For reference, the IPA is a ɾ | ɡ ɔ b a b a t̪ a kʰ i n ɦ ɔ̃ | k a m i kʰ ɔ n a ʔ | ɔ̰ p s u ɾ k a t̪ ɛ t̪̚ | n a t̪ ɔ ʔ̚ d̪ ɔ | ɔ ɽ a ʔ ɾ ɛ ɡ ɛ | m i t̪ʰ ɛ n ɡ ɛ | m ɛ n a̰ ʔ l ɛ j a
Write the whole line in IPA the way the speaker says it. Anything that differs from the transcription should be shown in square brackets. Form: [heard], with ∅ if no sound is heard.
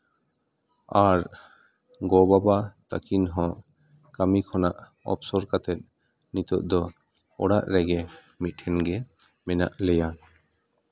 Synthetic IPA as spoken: a ɾ | ɡ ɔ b a b a t̪ a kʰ i n ɦ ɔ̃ | k a m i kʰ ɔ n a ʔ | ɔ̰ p s [ɔ] ɾ k a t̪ ɛ t̪̚ | n [i] t̪ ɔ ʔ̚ d̪ ɔ | ɔ ɽ a ʔ ɾ ɛ ɡ ɛ | m i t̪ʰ ɛ n ɡ ɛ | m ɛ n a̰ ʔ l ɛ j a